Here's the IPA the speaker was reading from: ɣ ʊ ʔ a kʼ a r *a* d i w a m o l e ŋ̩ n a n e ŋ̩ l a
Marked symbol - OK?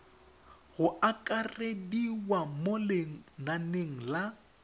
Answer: no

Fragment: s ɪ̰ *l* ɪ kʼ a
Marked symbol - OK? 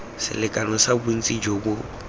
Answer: yes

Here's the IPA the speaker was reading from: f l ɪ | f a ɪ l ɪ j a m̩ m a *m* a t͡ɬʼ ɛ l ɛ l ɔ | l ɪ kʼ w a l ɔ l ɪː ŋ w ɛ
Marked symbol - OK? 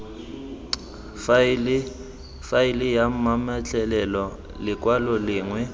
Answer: yes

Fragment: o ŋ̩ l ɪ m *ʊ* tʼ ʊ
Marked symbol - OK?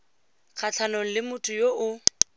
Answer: yes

